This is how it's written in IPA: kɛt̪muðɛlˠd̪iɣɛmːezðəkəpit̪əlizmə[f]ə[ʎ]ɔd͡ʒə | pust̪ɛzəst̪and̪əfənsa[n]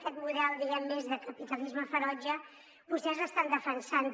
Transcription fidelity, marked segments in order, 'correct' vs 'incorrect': correct, incorrect, correct

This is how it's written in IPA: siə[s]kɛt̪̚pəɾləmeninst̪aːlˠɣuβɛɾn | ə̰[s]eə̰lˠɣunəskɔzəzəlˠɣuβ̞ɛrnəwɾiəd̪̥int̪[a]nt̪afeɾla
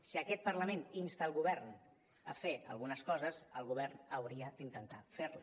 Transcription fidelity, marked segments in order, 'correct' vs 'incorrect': incorrect, incorrect, incorrect

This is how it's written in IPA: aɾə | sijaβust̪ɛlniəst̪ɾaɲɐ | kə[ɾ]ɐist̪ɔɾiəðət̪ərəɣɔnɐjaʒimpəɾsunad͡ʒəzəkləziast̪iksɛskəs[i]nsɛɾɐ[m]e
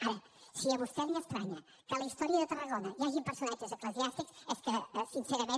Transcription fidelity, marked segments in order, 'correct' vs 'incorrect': incorrect, correct, correct

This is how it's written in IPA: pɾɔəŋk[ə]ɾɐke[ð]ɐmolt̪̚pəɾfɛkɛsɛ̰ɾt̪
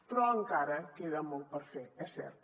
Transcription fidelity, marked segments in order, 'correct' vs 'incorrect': incorrect, correct

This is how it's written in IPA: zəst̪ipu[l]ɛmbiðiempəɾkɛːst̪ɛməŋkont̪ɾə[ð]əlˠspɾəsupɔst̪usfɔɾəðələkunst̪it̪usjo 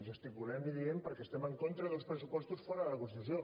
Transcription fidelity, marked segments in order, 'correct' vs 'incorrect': correct, correct

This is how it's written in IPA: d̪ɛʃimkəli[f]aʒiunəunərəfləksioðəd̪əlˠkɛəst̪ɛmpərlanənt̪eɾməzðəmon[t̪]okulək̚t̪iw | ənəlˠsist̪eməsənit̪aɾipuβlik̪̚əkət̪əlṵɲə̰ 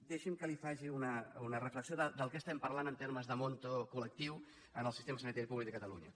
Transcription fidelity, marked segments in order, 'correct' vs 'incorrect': correct, correct

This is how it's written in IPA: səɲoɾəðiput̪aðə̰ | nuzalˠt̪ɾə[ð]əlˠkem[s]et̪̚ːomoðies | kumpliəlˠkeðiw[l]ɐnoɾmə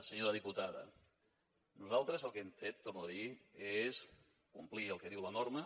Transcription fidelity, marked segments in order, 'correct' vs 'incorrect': incorrect, incorrect, correct

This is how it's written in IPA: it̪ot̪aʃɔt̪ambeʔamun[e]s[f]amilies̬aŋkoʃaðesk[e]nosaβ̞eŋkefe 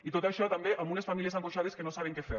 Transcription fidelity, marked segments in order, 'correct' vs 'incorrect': correct, correct, correct

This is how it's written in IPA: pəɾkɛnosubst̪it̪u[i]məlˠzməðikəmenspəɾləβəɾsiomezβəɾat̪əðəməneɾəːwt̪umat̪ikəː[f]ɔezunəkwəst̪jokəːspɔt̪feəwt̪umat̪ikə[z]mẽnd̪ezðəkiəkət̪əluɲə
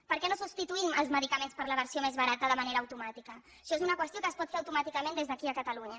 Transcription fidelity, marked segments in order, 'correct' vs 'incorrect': correct, incorrect, incorrect

